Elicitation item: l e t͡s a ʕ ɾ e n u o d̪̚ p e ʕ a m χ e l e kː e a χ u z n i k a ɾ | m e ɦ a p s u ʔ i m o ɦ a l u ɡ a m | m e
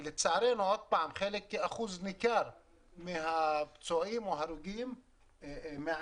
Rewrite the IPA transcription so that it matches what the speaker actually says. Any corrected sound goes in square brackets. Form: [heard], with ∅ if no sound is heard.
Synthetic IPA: l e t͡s a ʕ ɾ e n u o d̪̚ p [a] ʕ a m χ e l e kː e a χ u z n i k a ɾ | m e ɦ a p [t͡s] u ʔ i m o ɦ a [ɾ] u ɡ [i] m | m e